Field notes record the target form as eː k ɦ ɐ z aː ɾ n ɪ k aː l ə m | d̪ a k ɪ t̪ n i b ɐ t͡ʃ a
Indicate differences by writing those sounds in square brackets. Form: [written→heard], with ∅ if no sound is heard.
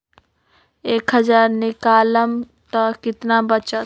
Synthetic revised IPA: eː k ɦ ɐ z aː ɾ n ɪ k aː l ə m | [d̪→t̪] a k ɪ t̪ n [i→a] b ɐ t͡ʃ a